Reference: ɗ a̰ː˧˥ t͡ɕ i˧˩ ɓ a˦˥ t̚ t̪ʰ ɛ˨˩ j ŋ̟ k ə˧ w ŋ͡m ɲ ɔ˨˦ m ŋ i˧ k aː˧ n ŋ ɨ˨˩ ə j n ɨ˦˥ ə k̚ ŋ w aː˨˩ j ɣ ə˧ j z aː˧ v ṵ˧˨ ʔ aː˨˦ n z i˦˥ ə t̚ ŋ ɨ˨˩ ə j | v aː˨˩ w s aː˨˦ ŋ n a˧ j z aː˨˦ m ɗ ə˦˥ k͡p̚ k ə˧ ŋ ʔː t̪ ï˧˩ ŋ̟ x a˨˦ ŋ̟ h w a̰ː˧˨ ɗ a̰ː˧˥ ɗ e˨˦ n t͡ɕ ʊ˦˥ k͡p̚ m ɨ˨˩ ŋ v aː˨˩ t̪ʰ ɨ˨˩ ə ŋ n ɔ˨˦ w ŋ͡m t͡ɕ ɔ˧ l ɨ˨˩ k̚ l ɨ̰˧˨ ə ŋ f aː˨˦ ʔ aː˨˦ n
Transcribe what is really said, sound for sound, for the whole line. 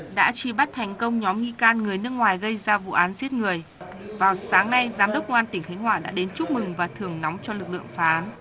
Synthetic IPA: ɗ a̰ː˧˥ t͡ɕ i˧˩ ɓ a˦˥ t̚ t̪ʰ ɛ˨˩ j ŋ̟ k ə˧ w ŋ͡m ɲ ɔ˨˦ m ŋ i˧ k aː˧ n ŋ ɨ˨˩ ə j n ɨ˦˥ ə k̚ ŋ w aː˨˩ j ɣ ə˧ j z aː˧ v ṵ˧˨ ʔ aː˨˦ n z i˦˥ ə t̚ ŋ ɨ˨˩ ə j | v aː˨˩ w s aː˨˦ ŋ n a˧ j z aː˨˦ m ɗ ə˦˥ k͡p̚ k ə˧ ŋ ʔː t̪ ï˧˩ ŋ̟ x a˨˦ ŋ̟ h w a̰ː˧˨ ɗ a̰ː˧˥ ɗ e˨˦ n t͡ɕ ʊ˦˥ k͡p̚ m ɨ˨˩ ŋ v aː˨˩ t̪ʰ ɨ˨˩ ə ŋ n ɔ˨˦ w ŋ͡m t͡ɕ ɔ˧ l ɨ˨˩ k̚ l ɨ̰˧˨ ə ŋ f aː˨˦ ʔ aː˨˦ n